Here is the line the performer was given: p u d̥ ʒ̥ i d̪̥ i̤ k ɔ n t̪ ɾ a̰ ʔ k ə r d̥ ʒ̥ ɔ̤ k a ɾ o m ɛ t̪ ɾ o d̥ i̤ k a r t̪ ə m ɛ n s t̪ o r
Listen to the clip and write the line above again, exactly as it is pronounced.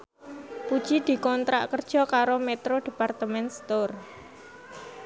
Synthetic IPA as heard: p u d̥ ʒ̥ i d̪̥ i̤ k ɔ n t̪ ɾ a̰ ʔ k ə r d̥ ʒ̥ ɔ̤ k a ɾ o m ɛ t̪ ɾ o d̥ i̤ p a r t̪ ə m ɛ n s t̪ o r